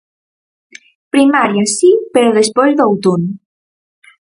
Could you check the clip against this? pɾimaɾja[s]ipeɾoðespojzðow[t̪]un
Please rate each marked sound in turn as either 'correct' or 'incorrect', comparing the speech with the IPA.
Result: correct, correct

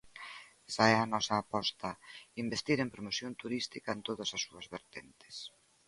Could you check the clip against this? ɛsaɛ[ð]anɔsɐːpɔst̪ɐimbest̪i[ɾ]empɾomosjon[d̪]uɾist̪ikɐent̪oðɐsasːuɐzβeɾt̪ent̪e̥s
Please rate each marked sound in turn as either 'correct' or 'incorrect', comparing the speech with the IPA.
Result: incorrect: none, correct, incorrect: t̪

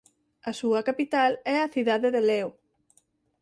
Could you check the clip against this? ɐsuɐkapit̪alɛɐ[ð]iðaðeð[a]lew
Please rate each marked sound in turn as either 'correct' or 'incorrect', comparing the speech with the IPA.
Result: incorrect: θ, incorrect: e

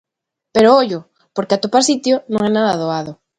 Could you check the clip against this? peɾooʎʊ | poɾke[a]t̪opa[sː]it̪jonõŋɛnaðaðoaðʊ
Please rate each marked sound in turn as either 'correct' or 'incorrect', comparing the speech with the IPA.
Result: correct, incorrect: s

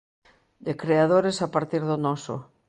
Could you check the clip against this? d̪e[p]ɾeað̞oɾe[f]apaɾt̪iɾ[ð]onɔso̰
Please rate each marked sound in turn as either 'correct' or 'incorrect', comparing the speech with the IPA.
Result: incorrect: k, incorrect: s, correct

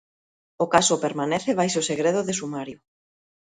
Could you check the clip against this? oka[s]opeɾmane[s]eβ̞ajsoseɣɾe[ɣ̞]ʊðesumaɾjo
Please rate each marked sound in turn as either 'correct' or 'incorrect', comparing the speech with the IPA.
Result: correct, incorrect: θ, incorrect: ð̞

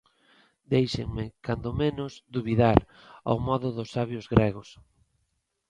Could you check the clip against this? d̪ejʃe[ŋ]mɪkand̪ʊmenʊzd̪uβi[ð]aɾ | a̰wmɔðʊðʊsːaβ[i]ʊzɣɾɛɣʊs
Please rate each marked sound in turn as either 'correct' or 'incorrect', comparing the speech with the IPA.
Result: correct, correct, incorrect: j

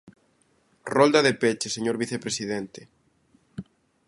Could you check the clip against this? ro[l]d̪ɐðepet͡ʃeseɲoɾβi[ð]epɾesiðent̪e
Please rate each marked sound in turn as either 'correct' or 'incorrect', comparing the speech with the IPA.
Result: correct, incorrect: θ

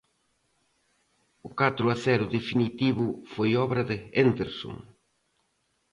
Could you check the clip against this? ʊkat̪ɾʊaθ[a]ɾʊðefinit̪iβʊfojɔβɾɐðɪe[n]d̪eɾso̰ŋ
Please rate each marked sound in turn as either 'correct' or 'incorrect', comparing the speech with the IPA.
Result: incorrect: ɛ, correct

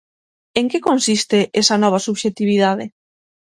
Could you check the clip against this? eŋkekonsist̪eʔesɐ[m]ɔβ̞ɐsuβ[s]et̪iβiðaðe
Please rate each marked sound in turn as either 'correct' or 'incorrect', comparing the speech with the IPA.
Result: incorrect: n, incorrect: ʃ

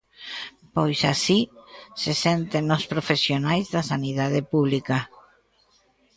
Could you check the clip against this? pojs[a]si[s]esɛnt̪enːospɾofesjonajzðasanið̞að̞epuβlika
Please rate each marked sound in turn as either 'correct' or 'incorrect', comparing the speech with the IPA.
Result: correct, correct

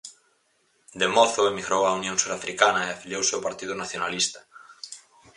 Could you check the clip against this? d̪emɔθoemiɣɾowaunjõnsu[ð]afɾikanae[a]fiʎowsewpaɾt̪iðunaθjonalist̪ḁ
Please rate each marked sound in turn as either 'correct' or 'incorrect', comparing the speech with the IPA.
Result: correct, correct

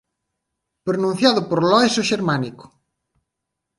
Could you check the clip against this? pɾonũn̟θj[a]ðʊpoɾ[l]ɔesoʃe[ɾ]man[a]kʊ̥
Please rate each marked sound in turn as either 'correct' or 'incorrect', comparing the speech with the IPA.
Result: correct, correct, correct, incorrect: i

